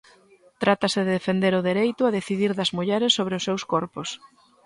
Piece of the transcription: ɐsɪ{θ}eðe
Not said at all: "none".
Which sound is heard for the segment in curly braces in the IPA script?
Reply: ð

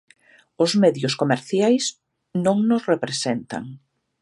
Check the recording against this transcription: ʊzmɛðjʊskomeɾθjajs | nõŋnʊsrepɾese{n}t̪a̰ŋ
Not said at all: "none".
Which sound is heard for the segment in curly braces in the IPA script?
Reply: n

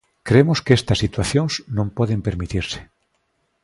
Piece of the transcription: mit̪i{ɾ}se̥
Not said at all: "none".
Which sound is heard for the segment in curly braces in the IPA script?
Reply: ɾ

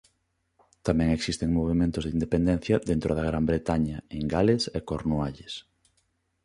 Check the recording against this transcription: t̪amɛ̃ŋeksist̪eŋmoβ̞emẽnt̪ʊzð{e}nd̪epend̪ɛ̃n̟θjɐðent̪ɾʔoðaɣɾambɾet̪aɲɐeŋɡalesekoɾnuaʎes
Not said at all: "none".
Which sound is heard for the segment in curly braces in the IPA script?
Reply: i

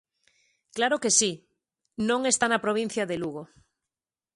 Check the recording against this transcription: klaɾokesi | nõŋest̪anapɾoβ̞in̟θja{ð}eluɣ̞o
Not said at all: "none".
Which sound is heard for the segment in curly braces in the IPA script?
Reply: ð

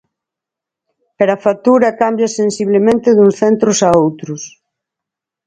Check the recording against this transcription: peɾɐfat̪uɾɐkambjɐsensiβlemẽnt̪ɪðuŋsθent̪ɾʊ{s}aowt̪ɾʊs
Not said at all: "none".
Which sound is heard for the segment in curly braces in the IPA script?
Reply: s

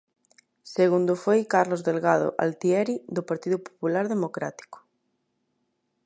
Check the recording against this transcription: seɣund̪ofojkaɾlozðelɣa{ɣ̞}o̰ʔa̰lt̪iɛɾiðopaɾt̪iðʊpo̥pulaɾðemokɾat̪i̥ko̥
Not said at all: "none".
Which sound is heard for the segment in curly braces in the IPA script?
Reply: ð̞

